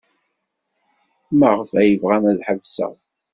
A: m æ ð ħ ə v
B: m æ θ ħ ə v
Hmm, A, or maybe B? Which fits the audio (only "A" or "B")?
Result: A